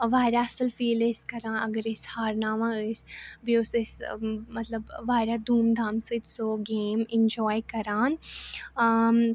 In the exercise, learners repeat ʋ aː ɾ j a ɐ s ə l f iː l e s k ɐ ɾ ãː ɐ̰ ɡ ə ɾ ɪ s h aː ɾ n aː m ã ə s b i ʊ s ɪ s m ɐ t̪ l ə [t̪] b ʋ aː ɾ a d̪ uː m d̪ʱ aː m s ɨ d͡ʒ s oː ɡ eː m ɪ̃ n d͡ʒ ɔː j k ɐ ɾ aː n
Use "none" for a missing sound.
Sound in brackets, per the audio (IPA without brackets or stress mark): none